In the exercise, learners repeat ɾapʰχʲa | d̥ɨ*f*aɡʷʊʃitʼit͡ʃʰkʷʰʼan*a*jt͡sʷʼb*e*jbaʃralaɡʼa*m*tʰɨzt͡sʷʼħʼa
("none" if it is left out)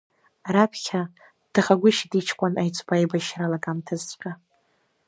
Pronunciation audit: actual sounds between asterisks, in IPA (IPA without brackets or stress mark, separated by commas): χ, a, a, m